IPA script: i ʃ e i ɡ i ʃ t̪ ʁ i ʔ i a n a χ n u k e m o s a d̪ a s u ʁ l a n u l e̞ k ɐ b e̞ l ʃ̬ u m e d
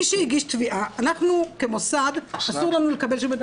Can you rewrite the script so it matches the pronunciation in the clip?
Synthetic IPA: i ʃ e i ɡ i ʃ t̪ v i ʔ a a n a χ n u k e m o s a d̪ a s u ʁ l a n u l e̞ k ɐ b e̞ l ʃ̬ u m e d

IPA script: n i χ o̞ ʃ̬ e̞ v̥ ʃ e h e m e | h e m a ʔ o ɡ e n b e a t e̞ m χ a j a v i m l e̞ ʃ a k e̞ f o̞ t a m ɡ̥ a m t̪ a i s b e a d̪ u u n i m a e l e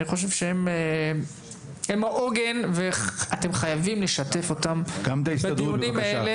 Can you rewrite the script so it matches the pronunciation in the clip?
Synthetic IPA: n i χ o̞ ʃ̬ e̞ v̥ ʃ e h e m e | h e m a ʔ o ɡ e n v e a t e̞ m χ a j a v i m l e̞ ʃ a t e̞ f o̞ t a m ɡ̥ a m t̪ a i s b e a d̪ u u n i m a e l e

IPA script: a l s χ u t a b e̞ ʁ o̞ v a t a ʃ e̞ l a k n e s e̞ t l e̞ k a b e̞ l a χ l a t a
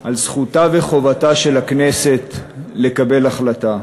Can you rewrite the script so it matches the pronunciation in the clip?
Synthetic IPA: a l s χ u t a v e̞ χ o̞ v a t a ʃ e̞ l a k n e s e̞ t l e̞ k a b e̞ l a χ l a t a

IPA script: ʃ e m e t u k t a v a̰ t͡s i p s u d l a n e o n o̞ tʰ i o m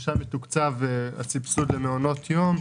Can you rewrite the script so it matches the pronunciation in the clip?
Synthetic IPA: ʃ a m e t u k t͡s a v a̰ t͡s i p s u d l e n e o n o̞ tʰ j o m

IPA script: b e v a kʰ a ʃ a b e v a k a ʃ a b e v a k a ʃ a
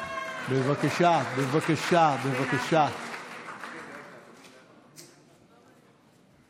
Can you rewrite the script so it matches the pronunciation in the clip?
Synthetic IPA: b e v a k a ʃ a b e v a k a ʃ a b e v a k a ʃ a

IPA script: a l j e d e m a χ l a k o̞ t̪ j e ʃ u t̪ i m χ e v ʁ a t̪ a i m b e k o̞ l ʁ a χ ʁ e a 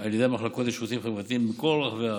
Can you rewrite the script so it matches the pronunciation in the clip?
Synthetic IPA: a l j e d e m a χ l a k o̞ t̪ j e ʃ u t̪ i m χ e v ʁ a t̪ i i m b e k o̞ l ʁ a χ v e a

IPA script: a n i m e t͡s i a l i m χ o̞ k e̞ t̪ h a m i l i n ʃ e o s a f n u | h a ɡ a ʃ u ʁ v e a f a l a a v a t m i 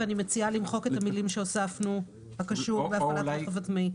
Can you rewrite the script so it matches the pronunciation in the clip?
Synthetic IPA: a n i m e t͡s i a l i m χ o̞ k e̞ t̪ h a m i l i m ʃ e o s a f n u | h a k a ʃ u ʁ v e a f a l a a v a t m i

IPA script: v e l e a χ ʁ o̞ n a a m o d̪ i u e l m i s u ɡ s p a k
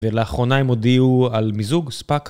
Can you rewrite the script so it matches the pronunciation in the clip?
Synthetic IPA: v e l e a χ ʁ o̞ n a e m o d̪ i u a l m i z u ɡ s p a k

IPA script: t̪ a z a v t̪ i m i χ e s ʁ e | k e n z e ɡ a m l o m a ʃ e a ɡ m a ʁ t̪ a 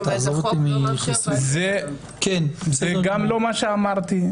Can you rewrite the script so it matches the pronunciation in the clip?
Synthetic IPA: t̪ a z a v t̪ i m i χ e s z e | k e n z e ɡ a m l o m a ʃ e a m a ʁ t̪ i

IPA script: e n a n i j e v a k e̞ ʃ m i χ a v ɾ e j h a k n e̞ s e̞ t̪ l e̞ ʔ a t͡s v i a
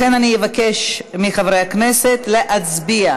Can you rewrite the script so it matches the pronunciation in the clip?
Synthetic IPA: e n a n i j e v a k e̞ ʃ m i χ a v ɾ e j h a k n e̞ s e̞ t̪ l e̞ ʔ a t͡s b i a

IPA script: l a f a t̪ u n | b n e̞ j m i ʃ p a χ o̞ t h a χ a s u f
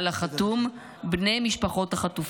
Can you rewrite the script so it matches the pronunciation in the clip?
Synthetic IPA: l a χ a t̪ u m | b n e̞ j m i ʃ p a χ o̞ t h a χ a t u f

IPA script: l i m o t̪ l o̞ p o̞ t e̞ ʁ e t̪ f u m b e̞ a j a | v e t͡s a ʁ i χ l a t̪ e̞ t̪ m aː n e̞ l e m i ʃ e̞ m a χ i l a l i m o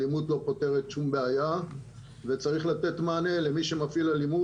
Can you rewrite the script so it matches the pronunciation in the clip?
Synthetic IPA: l i m u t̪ l o̞ p o̞ t e̞ ʁ e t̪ ʃ u m b e̞ a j a | v e t͡s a ʁ i χ l a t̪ e̞ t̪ m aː n e̞ l e m i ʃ e̞ m a f i l a l i m u

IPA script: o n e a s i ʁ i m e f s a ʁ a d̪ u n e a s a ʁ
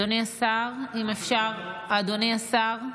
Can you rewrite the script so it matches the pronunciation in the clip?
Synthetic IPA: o n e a s a ʁ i m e f ʃ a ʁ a d̪ o n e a s a ʁ

